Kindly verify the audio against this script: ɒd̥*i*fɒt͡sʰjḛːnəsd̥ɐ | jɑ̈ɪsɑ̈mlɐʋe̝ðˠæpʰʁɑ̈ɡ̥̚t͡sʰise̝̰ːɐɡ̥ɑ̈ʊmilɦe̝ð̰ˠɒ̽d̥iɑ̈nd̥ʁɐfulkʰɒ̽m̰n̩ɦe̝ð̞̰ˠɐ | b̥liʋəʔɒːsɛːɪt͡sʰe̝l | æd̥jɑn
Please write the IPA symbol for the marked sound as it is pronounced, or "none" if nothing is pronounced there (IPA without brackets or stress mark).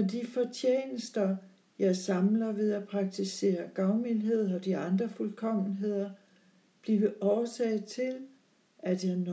i